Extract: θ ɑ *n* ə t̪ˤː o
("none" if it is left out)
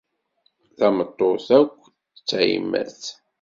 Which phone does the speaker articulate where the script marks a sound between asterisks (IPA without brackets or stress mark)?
m